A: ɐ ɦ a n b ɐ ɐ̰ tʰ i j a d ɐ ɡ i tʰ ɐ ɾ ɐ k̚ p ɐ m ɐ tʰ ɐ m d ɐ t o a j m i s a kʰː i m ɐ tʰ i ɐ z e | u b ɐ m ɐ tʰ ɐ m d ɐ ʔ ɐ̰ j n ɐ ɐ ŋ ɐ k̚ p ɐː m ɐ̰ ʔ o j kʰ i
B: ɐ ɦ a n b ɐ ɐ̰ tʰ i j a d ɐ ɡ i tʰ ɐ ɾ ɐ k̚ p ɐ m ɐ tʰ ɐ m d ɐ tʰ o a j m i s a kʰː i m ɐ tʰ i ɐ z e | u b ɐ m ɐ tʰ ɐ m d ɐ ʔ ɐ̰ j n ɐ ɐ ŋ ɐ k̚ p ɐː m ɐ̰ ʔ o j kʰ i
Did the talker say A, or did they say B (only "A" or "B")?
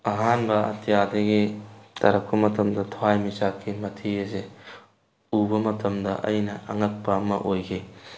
B